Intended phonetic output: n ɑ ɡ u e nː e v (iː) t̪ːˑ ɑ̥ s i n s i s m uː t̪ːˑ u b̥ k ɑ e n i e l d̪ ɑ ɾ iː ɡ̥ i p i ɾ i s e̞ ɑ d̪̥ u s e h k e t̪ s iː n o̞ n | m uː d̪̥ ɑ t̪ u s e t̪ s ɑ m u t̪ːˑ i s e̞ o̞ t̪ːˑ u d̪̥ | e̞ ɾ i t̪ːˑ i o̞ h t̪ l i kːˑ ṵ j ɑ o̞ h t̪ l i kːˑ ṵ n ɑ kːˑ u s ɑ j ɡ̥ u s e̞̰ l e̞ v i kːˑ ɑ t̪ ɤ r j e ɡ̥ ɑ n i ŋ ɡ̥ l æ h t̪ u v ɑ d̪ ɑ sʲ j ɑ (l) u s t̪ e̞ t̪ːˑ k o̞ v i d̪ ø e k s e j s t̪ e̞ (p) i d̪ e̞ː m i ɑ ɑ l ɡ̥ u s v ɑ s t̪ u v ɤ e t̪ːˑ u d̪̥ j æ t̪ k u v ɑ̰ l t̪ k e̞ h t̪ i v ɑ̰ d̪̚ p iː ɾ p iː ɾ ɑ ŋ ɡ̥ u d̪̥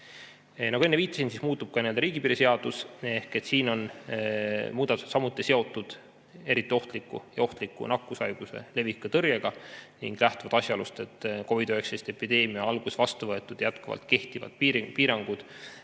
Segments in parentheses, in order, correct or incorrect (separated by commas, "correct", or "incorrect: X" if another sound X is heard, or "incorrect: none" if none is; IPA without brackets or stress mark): correct, correct, correct